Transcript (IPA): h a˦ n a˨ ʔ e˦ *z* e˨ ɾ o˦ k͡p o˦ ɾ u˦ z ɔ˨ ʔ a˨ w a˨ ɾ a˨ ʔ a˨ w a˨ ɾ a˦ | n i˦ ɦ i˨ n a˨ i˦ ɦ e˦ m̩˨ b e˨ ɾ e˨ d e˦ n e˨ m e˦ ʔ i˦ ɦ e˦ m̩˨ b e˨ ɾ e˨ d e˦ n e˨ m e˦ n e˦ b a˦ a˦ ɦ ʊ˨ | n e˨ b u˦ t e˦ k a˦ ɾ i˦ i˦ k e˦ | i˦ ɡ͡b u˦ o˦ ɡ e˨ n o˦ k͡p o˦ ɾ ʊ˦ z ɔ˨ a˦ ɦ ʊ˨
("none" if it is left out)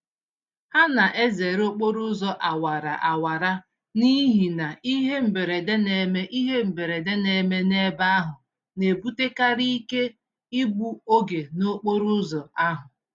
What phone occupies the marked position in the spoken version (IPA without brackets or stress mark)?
z